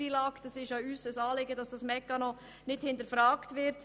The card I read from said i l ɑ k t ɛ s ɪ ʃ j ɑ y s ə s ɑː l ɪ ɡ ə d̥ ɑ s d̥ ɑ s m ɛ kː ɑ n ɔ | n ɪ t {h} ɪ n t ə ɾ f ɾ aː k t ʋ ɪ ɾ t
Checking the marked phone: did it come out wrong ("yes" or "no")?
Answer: no